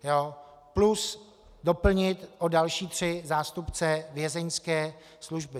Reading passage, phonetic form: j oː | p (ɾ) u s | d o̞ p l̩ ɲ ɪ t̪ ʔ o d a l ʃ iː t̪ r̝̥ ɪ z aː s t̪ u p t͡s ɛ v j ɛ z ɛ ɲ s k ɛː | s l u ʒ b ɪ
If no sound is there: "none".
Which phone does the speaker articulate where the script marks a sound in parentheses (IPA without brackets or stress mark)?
l